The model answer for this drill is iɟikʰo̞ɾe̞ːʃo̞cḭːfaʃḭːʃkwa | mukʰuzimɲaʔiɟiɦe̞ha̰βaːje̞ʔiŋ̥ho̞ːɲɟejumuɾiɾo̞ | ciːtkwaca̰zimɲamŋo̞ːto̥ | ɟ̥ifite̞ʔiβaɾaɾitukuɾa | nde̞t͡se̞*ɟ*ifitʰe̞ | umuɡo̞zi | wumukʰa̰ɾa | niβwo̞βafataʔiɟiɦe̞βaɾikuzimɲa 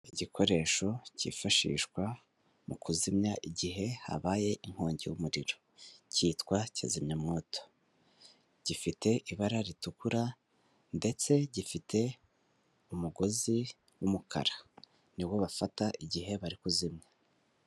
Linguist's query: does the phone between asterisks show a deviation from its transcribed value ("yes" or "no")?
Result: no